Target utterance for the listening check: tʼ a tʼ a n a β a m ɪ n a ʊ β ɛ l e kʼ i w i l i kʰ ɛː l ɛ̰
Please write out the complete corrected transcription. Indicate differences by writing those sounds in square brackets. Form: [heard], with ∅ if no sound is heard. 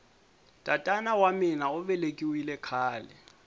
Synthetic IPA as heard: tʼ a tʼ a n a [w] a m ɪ n a ʊ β ɛ l e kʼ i w i l [ɛ] kʰ [aː] l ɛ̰

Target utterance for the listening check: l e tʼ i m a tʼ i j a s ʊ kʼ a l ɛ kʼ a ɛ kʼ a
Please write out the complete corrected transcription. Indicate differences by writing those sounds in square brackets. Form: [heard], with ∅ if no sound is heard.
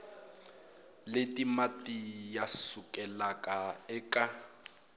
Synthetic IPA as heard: l e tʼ i m a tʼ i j a s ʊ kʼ [ɛ] l [a] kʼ a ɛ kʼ a

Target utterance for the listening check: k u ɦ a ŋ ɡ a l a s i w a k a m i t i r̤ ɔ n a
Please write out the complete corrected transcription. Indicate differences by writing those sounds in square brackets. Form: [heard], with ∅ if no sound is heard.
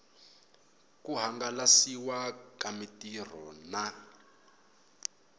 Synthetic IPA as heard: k u ɦ a ŋ ɡ a l a s i w a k a m i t i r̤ ɔ n a

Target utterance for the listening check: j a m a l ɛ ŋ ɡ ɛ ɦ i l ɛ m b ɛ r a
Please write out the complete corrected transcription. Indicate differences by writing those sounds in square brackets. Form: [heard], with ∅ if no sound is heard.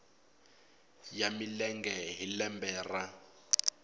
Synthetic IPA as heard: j a m [i] l ɛ ŋ ɡ ɛ ɦ i l ɛ m b [ɛː] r a

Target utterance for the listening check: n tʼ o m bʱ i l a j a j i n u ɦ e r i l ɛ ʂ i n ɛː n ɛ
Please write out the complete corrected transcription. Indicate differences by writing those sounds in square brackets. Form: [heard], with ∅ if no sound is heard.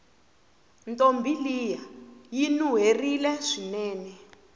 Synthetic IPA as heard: n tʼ o m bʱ i l [i] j a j i n u ɦ e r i l ɛ ʂ i n ɛː n ɛ

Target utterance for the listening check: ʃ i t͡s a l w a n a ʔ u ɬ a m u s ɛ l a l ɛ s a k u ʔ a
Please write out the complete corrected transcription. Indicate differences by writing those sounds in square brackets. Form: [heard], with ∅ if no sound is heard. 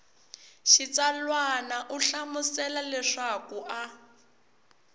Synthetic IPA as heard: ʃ i t͡s a l w a n a ʔ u ɬ a m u s ɛ l a l ɛ [ʂ] a k u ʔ a

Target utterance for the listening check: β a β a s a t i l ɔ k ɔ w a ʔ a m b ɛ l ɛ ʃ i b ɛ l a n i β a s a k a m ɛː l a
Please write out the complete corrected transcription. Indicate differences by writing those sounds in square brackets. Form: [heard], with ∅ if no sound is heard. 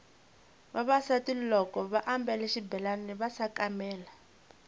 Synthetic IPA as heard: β a β a s a t i l ɔ k ɔ [β] a ʔ a m b ɛ l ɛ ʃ i b ɛ l a n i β a s a k a m ɛː l a

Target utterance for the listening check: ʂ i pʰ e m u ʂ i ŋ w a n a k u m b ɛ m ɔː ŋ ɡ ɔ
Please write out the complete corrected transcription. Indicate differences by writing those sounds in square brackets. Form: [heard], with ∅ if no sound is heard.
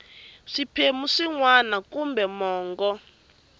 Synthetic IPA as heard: ʂ i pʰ e m u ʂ i ŋ w a n a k u m b ɛ m ɔː ŋ ɡ ɔ

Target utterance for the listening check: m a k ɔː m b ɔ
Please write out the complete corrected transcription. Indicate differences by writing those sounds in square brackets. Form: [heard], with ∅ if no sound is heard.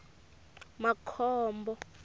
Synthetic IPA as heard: m a [kʰ] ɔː m b ɔ

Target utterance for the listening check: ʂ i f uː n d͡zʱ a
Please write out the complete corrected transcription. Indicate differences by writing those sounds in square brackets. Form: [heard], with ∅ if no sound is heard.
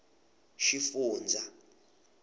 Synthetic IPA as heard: [ʃ] i f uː n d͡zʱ a

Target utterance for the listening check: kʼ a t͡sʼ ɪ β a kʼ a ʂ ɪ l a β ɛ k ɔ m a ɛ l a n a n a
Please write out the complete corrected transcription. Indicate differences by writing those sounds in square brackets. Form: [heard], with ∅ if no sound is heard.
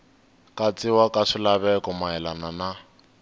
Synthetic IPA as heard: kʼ a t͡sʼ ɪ [w] a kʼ a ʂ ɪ l a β ɛ k ɔ m a ɛ l a n a n a

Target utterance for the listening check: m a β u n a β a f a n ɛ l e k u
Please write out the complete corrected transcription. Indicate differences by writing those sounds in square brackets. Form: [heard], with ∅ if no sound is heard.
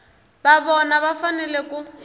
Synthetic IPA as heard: [b] a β [ɔ] n a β a f a n ɛ l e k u

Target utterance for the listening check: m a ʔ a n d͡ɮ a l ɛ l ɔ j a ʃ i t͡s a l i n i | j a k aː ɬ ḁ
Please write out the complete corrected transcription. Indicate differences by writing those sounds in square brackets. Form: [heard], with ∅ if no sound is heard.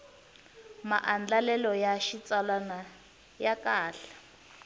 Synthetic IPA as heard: m a ʔ a n d͡ɮ a l ɛ l ɔ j a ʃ i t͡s a l [a] n [a] | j a k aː ɬ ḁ

